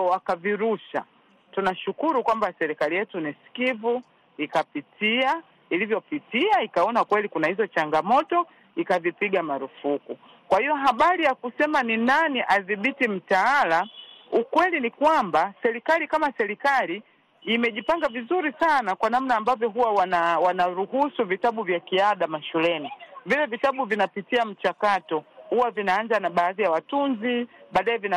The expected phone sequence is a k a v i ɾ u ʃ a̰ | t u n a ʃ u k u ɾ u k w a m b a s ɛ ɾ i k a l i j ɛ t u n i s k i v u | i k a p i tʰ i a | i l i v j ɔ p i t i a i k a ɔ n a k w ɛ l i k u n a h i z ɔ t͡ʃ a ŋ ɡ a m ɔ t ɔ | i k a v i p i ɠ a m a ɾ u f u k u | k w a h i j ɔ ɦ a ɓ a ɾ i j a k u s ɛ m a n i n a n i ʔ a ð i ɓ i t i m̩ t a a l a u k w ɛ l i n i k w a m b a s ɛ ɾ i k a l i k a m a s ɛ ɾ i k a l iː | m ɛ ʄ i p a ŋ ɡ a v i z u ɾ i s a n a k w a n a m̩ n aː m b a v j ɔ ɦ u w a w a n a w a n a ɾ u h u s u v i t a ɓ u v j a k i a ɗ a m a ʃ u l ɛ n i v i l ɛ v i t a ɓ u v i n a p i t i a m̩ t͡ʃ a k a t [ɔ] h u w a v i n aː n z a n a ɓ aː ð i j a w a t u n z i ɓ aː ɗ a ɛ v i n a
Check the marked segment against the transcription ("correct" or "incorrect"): correct